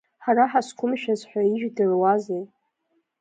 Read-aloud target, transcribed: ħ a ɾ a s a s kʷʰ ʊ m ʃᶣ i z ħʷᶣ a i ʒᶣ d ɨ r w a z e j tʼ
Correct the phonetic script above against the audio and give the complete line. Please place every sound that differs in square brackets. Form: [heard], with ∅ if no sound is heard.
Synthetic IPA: ħ a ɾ a [ħ] a s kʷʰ ʊ m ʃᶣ [a] z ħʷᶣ a i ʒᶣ d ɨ r w a z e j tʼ